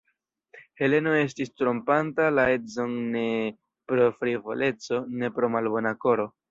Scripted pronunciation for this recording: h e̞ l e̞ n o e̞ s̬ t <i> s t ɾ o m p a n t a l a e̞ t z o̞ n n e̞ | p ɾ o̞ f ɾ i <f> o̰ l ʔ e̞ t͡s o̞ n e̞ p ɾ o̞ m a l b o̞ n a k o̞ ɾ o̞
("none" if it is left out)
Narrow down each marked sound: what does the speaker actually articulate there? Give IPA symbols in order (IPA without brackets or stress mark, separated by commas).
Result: i, v